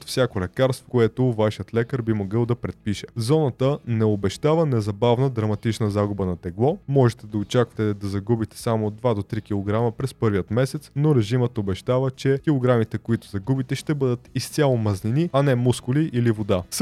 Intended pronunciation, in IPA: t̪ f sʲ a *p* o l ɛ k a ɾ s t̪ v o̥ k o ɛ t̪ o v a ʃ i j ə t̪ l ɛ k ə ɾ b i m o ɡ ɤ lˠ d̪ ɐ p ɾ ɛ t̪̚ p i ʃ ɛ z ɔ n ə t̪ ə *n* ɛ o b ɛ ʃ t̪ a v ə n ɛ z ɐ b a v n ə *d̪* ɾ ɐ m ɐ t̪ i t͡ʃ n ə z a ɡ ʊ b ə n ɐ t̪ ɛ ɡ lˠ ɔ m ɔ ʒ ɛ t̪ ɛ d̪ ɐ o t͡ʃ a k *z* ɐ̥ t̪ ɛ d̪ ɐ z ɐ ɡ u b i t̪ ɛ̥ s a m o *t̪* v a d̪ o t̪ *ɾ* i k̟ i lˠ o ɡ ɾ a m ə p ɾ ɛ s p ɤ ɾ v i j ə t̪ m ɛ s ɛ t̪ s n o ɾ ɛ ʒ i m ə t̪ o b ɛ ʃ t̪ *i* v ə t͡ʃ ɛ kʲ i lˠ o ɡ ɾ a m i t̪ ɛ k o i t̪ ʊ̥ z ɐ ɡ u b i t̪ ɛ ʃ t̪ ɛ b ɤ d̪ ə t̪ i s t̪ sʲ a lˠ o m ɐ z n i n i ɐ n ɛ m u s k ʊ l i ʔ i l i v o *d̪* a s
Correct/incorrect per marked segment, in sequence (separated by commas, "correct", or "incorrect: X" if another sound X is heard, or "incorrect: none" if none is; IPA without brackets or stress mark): incorrect: k, correct, correct, incorrect: v, incorrect: d̪, correct, incorrect: a, correct